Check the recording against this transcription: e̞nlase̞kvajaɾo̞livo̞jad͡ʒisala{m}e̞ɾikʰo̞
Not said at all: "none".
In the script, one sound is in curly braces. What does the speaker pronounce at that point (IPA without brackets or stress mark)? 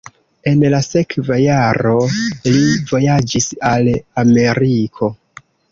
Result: m